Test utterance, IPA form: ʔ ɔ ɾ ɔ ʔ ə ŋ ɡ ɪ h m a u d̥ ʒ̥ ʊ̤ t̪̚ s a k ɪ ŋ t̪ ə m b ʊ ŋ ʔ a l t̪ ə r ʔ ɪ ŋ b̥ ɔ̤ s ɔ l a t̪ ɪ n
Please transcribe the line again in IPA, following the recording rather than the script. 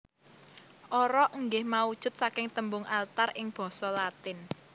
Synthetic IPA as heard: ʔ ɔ ɾ ɔ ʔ ə ŋ ɡ ɪ h m a u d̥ ʒ̥ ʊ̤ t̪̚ s a k ɪ ŋ t̪ ə m b ʊ ŋ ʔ a l t̪ a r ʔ ɪ ŋ b̥ ɔ̤ s ɔ l a t̪ ɪ n

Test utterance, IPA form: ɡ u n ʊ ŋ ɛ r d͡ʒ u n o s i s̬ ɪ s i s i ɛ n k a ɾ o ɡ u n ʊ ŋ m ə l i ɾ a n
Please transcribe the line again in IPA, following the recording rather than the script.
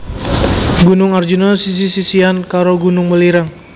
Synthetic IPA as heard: ɡ u n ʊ ŋ a r d͡ʒ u n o s i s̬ i s i s i a n k a ɾ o ɡ u n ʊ ŋ m ə l i ɾ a ŋ

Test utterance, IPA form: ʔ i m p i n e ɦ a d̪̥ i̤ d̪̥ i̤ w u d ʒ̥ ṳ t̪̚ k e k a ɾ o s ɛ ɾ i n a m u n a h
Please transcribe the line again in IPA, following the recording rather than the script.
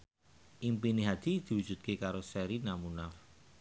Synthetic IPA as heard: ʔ i m p i n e ɦ a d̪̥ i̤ d̪̥ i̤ w u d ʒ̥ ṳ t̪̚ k e k a ɾ o s ɛ ɾ i n a m u n a f

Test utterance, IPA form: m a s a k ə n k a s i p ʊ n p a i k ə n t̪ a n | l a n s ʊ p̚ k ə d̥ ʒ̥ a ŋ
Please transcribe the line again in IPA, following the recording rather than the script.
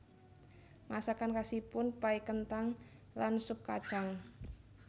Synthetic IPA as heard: m a s a k a n k a s i p ʊ n p a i k ə n t̪ a ŋ | l a n s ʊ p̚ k a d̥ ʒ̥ a ŋ

